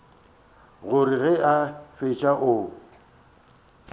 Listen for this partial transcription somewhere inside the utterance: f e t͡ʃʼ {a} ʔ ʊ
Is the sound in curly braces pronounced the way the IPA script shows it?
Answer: yes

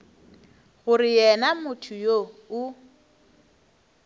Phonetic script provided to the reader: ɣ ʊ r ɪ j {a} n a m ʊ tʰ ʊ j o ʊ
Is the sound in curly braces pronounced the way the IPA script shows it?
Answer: no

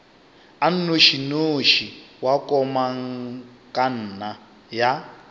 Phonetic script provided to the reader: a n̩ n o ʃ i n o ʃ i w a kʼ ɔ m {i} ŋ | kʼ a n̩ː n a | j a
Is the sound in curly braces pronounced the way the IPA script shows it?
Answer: no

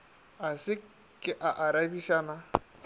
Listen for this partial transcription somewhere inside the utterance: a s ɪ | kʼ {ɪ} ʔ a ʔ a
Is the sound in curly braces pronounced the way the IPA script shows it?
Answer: yes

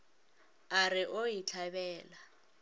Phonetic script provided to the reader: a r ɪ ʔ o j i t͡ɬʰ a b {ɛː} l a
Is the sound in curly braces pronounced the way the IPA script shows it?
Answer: yes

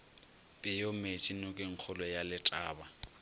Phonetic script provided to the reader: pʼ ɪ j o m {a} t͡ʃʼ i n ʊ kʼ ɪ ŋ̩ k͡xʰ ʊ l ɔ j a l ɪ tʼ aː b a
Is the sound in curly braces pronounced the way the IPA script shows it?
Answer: no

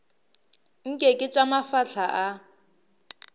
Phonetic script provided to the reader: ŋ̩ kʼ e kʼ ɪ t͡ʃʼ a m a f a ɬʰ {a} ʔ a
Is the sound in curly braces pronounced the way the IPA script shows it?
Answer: yes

